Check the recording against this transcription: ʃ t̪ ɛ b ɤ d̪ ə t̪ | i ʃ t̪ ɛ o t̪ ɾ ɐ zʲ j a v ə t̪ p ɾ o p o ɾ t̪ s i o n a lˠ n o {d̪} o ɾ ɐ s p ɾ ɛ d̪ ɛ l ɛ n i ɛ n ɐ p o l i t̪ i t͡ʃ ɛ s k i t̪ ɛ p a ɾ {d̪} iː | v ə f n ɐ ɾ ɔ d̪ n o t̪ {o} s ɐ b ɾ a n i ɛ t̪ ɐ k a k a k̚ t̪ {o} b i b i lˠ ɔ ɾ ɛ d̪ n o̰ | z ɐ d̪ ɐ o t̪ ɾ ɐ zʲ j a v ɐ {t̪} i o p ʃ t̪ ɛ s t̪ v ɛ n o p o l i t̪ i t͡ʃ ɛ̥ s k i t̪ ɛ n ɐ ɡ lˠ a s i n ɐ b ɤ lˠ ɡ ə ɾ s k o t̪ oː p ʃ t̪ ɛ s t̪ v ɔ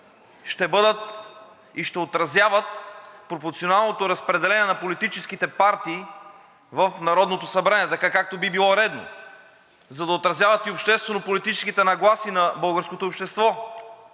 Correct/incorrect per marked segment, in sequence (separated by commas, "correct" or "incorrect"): incorrect, incorrect, correct, correct, correct